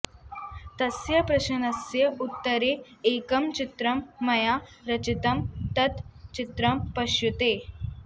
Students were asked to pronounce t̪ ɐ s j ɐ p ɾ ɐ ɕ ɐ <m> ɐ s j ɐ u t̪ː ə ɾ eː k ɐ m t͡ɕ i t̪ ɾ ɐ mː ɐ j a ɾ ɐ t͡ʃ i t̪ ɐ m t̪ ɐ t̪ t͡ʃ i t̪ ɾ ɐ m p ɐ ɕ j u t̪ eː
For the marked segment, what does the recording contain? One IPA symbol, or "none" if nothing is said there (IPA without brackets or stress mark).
n